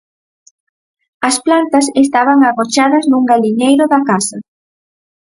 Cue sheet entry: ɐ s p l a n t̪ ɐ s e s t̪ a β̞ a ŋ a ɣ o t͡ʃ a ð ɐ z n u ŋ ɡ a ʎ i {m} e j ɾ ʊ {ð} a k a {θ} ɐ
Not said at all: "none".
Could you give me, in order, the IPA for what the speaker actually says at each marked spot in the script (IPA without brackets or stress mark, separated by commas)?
ɲ, ð, s